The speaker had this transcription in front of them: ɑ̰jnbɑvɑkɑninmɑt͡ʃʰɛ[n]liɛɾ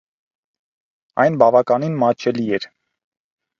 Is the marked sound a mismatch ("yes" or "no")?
yes